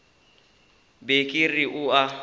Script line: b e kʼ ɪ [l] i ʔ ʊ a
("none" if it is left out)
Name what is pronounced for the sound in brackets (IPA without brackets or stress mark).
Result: r